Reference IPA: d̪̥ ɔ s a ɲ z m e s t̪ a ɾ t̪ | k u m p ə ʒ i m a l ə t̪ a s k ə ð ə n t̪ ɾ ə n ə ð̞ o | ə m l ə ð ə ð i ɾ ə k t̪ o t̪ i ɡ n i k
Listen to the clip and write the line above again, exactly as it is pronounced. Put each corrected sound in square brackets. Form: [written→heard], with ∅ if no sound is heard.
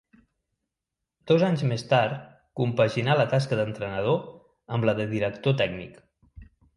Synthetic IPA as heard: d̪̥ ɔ [s→z] a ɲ z m e s t̪ a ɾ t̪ | k u m p ə ʒ i [m→n] a l ə t̪ a s k ə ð ə n t̪ ɾ ə n ə ð̞ o | ə m l ə ð ə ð i ɾ ə k t̪ o t̪ [i→ɛ] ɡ n i k